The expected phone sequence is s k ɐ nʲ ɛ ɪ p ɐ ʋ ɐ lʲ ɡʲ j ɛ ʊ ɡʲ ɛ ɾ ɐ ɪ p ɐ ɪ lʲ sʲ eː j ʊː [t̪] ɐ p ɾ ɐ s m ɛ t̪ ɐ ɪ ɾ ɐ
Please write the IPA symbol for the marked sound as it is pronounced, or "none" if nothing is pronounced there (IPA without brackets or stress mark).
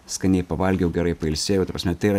t̪